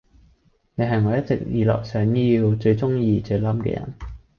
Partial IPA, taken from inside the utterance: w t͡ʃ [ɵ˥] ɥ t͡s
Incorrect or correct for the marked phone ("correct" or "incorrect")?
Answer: incorrect